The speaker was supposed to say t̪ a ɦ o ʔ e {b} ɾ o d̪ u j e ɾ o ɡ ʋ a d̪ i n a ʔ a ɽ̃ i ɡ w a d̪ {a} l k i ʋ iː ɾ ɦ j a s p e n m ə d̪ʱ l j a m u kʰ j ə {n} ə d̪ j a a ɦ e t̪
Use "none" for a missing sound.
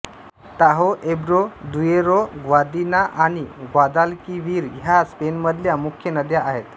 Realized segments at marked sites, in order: b, a, n

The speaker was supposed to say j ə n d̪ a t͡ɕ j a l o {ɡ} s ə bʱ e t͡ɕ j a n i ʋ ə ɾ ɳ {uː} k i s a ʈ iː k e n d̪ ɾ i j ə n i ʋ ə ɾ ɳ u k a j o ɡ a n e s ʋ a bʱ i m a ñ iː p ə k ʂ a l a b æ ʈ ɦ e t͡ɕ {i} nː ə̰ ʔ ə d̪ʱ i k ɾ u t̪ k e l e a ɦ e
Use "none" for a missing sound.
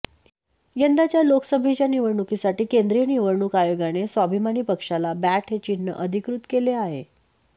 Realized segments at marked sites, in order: k, u, i

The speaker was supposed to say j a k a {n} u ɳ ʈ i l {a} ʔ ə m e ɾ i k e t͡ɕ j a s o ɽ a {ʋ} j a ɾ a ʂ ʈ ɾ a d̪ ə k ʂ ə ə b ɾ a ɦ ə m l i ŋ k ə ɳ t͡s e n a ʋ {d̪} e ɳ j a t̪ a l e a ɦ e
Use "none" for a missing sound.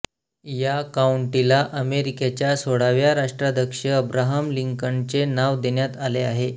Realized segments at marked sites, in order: none, a, ʋ, d̪

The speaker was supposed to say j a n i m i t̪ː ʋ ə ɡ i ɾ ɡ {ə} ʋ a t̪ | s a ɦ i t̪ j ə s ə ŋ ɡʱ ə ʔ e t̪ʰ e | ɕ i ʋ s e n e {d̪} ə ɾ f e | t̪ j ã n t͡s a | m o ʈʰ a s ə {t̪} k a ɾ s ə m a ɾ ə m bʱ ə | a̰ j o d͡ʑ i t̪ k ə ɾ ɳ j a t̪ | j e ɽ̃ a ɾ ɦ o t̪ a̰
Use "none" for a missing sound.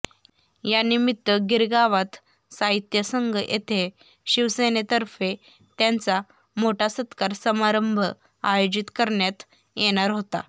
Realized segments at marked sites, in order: a, t̪, t̪

